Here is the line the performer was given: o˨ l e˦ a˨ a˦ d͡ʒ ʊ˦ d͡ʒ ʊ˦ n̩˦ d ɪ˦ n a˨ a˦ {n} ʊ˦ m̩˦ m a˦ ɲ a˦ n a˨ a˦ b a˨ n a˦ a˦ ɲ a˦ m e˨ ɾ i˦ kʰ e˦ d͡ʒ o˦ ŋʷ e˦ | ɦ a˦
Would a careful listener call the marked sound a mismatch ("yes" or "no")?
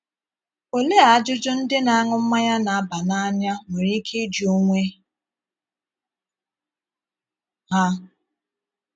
yes